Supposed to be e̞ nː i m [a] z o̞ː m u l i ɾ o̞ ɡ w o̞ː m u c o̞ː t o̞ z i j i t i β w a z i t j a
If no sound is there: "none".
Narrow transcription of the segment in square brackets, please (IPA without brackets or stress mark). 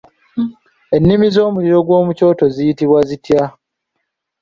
i